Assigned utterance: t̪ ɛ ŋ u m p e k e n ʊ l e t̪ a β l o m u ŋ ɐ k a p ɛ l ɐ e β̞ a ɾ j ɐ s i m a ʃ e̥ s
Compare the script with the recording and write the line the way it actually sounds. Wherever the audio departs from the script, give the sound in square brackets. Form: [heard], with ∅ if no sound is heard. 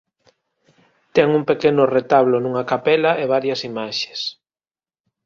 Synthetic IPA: t̪ ɛ ŋ u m p e k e n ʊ [r] e t̪ a β l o [n] u ŋ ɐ k a p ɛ l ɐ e β̞ a ɾ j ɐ s i m a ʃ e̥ s